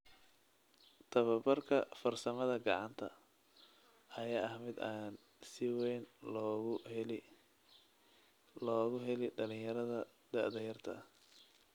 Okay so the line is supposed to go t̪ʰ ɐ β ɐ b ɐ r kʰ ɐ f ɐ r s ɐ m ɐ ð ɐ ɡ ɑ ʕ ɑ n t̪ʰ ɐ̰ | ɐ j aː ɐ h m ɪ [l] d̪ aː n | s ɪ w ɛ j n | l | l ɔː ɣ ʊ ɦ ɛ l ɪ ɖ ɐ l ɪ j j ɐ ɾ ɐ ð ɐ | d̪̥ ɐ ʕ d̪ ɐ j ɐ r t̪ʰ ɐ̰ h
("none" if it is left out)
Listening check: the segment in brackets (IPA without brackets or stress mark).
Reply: none